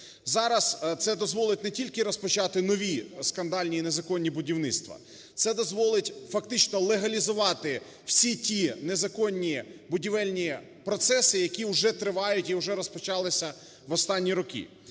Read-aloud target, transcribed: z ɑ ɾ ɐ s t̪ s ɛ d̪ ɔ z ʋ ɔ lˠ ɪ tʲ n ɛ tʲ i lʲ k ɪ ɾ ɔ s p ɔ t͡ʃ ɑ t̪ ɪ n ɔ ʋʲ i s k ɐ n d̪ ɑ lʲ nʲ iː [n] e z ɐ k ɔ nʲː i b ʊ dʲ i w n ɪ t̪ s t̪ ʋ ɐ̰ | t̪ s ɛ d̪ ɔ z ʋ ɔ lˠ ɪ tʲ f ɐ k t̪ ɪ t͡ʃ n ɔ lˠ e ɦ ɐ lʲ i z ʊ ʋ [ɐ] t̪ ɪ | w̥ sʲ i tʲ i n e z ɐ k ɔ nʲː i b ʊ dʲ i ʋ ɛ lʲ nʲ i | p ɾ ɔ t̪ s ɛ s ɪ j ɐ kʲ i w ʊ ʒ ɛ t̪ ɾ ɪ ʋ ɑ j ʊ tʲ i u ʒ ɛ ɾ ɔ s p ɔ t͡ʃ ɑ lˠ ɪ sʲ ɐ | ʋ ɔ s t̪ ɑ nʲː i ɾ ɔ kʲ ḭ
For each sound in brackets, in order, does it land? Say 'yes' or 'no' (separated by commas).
yes, no